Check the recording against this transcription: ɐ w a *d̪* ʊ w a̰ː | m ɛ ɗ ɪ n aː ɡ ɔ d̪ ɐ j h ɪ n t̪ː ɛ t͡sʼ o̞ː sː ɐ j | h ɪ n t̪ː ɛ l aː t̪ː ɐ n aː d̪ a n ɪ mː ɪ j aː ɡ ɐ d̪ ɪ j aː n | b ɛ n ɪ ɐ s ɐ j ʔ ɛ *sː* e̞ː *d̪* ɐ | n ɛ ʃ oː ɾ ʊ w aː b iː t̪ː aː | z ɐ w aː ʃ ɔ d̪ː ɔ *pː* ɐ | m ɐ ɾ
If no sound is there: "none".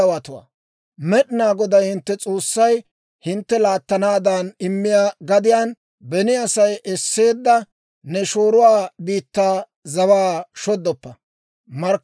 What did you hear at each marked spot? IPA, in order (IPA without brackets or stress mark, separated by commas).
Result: t̪, sː, d̪ː, pː